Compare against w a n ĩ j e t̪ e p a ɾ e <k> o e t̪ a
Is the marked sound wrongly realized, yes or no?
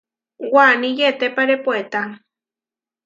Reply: yes